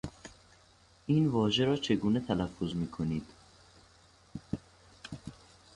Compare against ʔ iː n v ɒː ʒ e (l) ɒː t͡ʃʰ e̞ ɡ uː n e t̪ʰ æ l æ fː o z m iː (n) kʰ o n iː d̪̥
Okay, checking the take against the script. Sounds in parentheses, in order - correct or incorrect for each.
incorrect: ɾ, incorrect: none

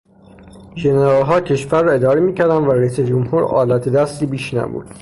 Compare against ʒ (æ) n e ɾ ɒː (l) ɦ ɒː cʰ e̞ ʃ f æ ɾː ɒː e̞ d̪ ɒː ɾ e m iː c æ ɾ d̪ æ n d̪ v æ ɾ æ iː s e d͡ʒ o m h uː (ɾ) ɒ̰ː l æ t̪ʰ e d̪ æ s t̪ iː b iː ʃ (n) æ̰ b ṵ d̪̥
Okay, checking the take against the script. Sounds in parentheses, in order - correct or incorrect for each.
incorrect: e, correct, correct, correct

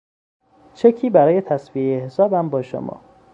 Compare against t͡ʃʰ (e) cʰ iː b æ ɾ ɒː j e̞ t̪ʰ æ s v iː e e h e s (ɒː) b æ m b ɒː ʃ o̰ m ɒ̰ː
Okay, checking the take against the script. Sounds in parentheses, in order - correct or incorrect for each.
correct, correct

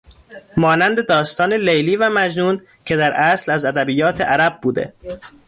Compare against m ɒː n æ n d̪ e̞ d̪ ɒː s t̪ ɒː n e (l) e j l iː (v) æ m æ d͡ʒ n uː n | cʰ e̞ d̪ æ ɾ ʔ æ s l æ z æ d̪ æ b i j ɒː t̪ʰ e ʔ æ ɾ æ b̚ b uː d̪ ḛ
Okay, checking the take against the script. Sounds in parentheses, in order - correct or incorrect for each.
correct, correct

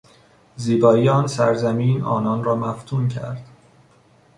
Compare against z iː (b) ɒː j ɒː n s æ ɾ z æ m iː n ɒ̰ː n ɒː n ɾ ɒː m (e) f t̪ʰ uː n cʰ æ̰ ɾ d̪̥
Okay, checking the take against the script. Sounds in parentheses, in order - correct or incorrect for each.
correct, incorrect: æ

